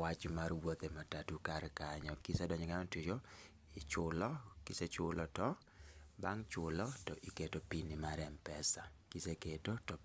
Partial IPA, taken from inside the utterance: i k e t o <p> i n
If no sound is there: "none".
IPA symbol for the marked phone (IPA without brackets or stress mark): p